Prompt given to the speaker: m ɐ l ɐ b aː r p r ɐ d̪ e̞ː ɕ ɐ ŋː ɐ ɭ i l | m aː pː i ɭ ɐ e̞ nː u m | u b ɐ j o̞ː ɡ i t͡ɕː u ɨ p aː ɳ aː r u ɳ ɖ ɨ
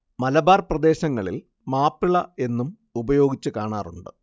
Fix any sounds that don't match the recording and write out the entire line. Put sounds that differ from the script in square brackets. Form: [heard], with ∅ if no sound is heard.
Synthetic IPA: m ɐ l ɐ b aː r p r ɐ d̪ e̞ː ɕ ɐ ŋː ɐ ɭ i l | m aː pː i ɭ ɐ e̞ nː u m | u b ɐ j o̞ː ɡ i t͡ɕː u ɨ [k] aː ɳ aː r u ɳ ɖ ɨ